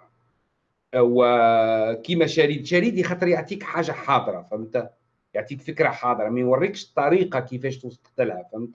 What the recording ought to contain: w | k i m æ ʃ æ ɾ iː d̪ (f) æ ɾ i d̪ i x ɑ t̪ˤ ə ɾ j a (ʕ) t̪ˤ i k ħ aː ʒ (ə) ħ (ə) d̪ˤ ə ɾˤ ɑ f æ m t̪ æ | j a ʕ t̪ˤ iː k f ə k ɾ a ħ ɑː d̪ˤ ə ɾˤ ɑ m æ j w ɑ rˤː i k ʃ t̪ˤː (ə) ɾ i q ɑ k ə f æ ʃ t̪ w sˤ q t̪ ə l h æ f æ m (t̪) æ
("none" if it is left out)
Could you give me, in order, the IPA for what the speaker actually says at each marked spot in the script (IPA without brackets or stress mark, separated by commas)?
ʃ, ʕ, a, ɑ, ɑ, t̪